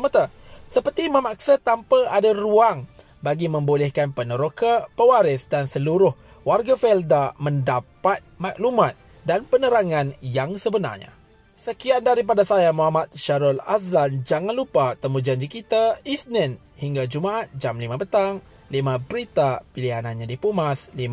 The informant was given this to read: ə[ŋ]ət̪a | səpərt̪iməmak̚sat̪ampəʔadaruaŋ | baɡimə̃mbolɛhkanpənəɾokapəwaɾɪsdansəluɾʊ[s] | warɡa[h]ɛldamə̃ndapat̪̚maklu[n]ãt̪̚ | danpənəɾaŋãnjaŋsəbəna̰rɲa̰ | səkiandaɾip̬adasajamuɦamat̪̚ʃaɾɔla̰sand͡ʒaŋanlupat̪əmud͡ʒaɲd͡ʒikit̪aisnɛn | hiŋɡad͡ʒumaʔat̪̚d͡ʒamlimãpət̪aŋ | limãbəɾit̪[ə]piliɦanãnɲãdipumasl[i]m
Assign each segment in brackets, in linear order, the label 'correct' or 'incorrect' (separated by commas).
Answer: incorrect, incorrect, incorrect, incorrect, incorrect, correct